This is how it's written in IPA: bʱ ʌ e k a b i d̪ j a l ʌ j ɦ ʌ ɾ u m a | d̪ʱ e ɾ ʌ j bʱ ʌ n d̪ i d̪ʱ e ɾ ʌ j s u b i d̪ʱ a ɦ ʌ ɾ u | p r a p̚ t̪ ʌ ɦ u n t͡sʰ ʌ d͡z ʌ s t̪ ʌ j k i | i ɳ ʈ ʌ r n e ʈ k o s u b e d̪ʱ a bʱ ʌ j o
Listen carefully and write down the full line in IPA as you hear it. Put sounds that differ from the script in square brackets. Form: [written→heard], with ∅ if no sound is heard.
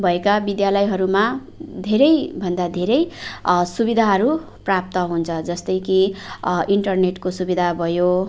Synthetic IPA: bʱ ʌ e k a b i d̪ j a l ʌ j ɦ ʌ ɾ u m a | d̪ʱ e ɾ ʌ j bʱ ʌ n d̪ [i→a] d̪ʱ e ɾ ʌ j s u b i d̪ʱ a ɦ ʌ ɾ u | p r a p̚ t̪ ʌ ɦ u n t͡sʰ ʌ d͡z ʌ s t̪ ʌ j k i | i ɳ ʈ ʌ r n e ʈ k o s u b [e→i] d̪ʱ a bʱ ʌ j o